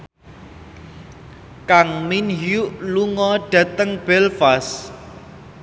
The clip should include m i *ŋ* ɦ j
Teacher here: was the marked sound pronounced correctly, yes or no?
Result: no